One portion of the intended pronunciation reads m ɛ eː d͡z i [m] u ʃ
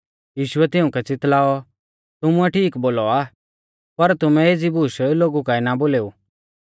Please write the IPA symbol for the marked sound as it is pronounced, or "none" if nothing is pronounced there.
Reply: b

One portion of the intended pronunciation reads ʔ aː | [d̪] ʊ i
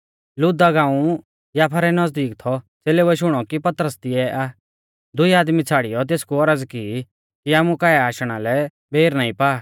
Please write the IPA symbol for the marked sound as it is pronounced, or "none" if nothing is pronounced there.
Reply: d̪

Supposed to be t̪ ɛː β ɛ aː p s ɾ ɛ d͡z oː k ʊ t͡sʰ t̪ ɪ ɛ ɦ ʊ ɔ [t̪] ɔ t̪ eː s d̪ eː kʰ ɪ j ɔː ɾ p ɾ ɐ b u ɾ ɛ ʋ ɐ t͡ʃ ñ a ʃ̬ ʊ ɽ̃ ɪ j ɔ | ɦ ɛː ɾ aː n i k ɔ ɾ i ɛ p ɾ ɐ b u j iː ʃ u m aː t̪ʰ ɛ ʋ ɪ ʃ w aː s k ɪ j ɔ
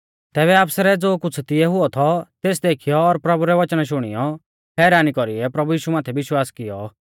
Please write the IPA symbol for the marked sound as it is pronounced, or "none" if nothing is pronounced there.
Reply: t̪ʰ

